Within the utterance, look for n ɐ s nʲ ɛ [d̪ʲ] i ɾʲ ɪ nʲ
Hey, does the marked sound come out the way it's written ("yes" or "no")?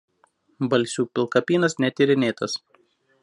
no